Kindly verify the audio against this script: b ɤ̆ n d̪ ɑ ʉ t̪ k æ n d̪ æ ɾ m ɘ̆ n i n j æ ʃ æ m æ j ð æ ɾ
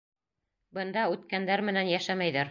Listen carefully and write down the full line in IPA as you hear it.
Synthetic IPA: b ɤ̆ n d̪ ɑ ʉ t̪ k æ n d̪ æ ɾ m ɘ̆ n æ n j æ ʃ æ m æ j ð æ ɾ